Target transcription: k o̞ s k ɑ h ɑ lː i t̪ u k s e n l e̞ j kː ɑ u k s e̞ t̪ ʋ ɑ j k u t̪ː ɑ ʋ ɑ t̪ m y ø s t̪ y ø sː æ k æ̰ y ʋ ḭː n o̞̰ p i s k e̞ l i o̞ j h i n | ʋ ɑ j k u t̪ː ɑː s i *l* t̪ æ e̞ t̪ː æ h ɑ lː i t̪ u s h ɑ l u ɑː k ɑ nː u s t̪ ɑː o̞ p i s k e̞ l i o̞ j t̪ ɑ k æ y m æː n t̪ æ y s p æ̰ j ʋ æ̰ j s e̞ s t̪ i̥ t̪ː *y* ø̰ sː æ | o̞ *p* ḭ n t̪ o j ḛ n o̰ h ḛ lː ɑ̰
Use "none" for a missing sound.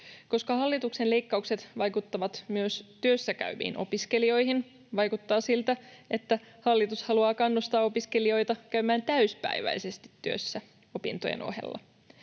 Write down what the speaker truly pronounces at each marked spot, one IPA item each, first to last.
l, y, p

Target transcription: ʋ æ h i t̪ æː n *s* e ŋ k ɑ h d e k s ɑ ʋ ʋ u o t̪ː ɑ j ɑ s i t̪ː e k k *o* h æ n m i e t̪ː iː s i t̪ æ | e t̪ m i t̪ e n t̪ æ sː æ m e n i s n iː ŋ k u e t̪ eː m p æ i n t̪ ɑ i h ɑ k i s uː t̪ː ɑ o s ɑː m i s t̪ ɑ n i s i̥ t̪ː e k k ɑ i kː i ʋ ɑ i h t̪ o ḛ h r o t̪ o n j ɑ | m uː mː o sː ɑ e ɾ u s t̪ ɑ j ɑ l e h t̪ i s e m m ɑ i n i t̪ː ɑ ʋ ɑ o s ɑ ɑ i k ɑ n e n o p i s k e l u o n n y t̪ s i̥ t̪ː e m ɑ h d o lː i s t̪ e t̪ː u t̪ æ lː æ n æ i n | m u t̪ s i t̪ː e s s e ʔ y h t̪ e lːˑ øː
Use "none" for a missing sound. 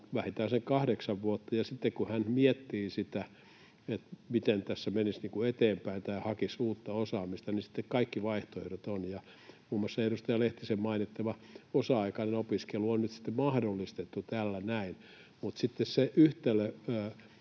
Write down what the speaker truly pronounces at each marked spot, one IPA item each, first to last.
s, u

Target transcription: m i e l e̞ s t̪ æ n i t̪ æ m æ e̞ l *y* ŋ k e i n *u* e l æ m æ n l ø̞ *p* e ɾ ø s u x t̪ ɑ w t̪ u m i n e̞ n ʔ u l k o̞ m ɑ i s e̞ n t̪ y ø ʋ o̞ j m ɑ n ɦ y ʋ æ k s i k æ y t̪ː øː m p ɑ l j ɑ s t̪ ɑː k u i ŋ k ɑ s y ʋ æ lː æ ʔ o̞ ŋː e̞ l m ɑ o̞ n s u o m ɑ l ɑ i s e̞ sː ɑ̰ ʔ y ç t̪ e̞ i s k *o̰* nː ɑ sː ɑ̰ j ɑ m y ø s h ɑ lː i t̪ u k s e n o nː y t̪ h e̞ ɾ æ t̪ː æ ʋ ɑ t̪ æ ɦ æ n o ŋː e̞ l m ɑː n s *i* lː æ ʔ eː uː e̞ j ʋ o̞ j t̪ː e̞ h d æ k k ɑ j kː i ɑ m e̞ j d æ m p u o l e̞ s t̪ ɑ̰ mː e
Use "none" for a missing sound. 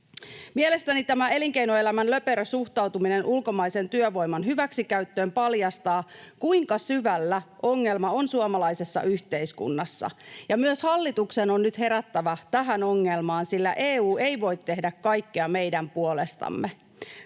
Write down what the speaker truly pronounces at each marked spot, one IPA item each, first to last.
i, o, p, ṵ, i

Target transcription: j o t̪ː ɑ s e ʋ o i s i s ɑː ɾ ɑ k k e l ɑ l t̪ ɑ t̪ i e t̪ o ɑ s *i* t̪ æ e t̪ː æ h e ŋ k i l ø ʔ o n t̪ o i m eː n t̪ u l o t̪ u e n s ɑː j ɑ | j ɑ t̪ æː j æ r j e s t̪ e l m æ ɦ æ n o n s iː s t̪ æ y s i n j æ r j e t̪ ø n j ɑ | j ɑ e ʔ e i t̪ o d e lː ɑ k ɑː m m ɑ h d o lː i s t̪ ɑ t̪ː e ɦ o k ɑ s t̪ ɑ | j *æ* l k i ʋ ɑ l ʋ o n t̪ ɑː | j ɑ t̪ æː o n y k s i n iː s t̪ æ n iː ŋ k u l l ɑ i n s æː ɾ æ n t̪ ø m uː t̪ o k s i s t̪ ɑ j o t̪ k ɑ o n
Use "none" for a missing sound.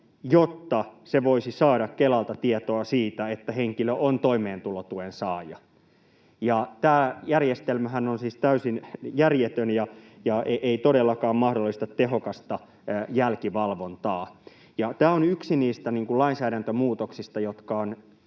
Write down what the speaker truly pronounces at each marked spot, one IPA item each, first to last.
iː, æ

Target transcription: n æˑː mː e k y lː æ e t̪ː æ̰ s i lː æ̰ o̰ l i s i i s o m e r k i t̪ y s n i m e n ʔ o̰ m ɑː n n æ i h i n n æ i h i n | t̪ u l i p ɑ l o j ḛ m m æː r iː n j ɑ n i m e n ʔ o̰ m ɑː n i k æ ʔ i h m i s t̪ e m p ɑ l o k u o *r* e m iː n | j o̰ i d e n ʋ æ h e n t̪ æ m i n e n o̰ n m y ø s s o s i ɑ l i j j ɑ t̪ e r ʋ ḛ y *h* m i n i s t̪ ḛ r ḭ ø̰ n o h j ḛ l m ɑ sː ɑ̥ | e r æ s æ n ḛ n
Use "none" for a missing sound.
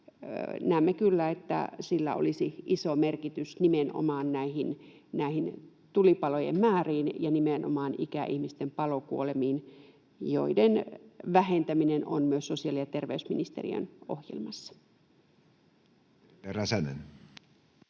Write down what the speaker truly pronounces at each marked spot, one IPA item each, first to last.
l, s

